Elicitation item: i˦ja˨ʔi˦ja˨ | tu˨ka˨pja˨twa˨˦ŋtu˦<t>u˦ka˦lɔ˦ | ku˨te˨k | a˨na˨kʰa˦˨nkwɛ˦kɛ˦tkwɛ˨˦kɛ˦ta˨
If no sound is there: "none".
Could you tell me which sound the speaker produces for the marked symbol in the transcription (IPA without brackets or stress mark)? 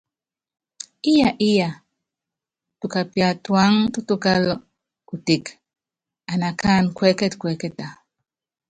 t